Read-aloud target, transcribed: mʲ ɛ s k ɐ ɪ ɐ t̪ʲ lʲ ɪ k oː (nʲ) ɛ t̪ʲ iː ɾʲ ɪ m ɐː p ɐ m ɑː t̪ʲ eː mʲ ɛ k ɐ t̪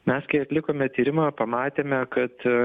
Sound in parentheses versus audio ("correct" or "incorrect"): incorrect